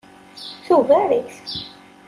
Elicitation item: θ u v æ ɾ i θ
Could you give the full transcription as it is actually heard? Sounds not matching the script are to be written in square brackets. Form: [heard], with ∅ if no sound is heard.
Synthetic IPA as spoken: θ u v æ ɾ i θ